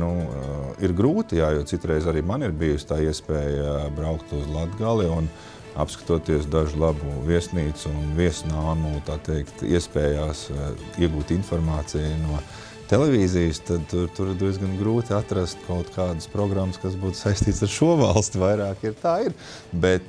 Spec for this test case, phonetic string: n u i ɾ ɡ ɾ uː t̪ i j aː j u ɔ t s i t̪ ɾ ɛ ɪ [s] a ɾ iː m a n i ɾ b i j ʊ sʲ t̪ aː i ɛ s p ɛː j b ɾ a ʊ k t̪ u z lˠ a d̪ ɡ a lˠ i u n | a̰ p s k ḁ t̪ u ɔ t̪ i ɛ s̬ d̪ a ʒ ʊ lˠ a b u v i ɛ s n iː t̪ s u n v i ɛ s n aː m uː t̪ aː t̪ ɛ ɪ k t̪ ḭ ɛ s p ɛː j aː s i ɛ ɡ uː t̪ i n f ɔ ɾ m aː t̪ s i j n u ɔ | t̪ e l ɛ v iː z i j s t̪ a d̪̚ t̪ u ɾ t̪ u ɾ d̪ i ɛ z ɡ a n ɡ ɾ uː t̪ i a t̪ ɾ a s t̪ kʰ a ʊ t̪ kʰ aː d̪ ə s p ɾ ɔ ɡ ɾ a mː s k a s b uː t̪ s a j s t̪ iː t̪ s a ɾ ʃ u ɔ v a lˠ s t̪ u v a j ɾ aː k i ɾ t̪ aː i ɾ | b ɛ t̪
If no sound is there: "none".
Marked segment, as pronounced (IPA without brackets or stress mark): z